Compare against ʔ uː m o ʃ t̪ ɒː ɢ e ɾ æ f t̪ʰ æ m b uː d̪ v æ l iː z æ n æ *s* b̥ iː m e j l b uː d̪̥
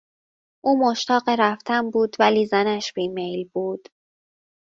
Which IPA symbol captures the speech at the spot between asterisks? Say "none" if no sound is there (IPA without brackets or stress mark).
ʃ